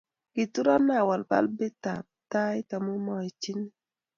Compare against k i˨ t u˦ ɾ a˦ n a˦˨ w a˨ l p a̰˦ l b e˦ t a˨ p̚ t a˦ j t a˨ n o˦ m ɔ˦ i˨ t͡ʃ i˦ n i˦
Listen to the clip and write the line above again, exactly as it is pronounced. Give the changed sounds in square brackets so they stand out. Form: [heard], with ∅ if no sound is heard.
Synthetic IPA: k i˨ t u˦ ɾ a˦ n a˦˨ w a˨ l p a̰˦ l b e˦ t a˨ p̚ t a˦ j t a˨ [m] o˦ m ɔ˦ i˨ t͡ʃ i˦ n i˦